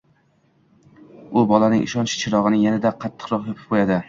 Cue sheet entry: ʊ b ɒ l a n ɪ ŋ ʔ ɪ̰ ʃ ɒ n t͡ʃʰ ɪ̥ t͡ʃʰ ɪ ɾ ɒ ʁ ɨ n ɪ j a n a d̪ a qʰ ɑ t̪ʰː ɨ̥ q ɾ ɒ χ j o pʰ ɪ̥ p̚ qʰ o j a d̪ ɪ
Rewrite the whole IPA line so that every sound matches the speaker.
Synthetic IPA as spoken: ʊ b ɒ l a n ɪ ŋ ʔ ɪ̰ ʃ ɒ n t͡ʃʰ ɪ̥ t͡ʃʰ ɪ ɾ ɒ ʁ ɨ n ɪ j a n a d̪ a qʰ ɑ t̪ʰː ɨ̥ q ɾ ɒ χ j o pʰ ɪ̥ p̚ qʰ o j a d̪ ɪ

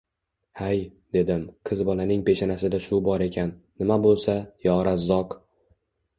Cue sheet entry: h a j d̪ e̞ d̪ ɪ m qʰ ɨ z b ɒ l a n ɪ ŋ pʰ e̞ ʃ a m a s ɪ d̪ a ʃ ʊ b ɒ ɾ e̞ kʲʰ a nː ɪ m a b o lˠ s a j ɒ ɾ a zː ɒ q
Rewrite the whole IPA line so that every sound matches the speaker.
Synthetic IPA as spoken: h a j d̪ e̞ d̪ ɪ m qʰ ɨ z b ɒ l a n ɪ ŋ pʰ e̞ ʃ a n a s ɪ d̪ a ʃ ʊ b ɒ ɾ e̞ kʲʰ a nː ɪ m a b o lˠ s a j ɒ ɾ a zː ɒ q

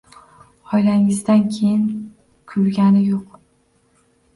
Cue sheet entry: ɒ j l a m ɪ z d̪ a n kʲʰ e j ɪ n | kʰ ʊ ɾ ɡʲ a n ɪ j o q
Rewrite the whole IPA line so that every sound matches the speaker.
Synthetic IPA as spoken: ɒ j l a ŋ ɪ z d̪ a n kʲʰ e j ɪ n | kʰ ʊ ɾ ɡʲ a n ɪ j o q

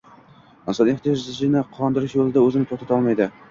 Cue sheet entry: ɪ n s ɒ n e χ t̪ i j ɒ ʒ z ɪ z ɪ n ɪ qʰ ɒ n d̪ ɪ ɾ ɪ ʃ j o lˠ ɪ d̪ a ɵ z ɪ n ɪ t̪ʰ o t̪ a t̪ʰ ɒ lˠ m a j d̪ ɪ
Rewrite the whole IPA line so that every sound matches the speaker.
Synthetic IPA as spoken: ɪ n s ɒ n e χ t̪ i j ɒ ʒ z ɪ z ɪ n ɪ qʰ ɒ n d̪ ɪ ɾ ɪ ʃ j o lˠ ɪ d̪ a ɵ z ɪ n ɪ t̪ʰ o t̪ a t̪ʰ ɒ lˠ m a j d̪ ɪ

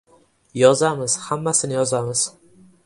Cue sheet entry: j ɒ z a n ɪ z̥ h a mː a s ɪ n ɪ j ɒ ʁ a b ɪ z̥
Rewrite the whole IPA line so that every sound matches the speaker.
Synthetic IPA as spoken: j ɒ z a m ɪ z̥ h a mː a s ɪ n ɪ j ɒ z a m ɪ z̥

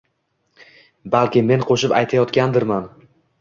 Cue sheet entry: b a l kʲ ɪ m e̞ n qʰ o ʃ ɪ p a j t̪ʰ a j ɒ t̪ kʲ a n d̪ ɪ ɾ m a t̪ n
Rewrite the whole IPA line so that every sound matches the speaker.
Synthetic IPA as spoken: b a l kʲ ɪ m e̞ n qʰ o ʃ ɪ p a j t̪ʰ a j ɒ t̪ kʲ a n d̪ ɪ ɾ m a n

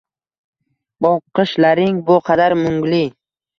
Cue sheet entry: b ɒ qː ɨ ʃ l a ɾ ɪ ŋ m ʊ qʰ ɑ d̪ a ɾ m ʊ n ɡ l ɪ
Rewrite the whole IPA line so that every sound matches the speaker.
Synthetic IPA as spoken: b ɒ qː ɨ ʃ l a ɾ ɪ ŋ b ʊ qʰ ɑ d̪ a ɾ m ʊ ŋ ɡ l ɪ

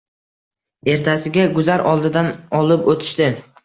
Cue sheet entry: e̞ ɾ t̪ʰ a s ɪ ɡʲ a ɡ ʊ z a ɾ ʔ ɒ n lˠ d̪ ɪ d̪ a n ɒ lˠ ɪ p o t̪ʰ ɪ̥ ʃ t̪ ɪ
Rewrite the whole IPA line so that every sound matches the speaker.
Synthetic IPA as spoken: e̞ ɾ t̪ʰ a s ɪ ɡʲ a ɡ ʊ z a ɾ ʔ ɒ lˠ d̪ ɪ d̪ a n ɒ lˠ ɪ p o t̪ʰ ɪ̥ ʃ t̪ ɪ

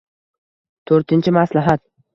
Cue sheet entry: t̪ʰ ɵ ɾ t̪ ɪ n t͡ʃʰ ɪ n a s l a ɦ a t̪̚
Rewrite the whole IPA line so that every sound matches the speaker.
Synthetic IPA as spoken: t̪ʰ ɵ ɾ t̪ ɪ n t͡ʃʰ ɪ m a s l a ɦ a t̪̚

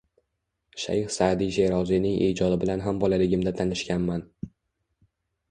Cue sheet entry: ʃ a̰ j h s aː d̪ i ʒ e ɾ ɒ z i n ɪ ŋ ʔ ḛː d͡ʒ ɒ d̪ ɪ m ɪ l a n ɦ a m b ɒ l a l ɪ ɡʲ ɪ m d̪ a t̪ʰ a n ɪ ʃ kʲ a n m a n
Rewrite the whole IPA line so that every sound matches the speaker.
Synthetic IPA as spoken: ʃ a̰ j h s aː d̪ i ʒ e ɾ ɒ z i n ɪ ŋ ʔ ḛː d͡ʒ ɒ d̪ ɪ b ɪ l a n ɦ a m b ɒ l a l ɪ ɡʲ ɪ m d̪ a t̪ʰ a n ɪ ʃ kʲ a n m a n

